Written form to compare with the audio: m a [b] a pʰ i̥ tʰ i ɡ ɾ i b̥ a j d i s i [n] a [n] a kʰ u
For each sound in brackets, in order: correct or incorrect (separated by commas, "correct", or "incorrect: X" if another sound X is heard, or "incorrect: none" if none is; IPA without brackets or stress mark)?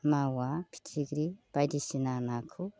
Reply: incorrect: w, correct, correct